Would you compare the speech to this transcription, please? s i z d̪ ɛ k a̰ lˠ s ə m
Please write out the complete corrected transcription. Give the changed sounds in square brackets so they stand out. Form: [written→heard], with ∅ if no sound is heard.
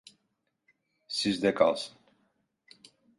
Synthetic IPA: s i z d̪ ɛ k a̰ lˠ s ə [m→n]